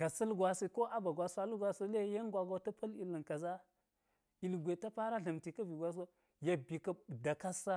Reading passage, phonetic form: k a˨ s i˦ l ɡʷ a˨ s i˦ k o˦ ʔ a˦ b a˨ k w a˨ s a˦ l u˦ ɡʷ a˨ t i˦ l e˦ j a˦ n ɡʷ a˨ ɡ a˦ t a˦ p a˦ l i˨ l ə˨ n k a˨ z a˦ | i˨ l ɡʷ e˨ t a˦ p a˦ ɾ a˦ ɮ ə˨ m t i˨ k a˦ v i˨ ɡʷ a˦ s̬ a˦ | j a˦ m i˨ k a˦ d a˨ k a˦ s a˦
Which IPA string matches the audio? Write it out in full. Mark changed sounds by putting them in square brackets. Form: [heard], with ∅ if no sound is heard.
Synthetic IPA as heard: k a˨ s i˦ l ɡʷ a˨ s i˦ k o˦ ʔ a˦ b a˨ [ɡ] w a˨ s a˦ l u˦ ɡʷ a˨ [s] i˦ l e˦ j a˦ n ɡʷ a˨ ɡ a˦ t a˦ p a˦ l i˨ l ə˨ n k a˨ z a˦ | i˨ l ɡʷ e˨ t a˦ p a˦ ɾ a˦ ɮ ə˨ m t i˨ k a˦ v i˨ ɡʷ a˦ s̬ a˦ | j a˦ [b] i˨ k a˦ d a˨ k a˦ s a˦